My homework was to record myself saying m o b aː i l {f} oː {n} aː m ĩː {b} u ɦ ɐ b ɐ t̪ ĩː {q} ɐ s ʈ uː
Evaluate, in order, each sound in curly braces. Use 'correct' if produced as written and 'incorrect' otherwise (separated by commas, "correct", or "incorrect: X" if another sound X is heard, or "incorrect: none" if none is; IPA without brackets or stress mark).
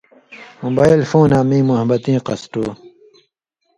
correct, correct, incorrect: m, correct